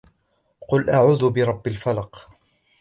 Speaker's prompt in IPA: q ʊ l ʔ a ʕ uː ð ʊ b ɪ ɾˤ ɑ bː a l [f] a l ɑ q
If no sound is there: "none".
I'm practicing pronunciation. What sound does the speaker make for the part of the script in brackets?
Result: f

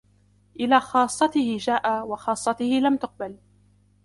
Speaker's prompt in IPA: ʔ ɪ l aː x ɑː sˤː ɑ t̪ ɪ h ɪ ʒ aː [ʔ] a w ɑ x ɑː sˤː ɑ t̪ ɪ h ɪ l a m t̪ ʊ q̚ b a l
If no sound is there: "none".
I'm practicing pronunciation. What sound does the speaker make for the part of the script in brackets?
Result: ʔ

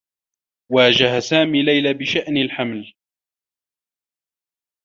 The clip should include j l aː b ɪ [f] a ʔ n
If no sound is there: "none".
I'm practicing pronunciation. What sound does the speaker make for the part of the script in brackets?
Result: ʃ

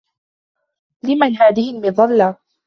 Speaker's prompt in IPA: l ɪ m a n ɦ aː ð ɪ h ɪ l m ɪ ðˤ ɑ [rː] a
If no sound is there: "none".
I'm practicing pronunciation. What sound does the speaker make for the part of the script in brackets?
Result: lː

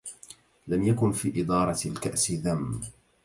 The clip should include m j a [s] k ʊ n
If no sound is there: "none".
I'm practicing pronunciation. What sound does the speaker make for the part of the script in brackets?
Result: none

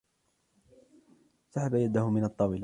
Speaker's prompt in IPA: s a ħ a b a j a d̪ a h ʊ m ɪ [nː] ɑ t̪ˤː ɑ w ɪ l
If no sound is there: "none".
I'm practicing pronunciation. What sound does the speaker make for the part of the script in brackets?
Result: n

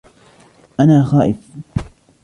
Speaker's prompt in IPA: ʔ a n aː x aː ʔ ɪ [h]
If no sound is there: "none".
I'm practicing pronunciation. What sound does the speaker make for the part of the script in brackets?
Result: f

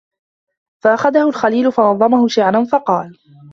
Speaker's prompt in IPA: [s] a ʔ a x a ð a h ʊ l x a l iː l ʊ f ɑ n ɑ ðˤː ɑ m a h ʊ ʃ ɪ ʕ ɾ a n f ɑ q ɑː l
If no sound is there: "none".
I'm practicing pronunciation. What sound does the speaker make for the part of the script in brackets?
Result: f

